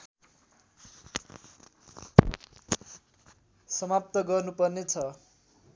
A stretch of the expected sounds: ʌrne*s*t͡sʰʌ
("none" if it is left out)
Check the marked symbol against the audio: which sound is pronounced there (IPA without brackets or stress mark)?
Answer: none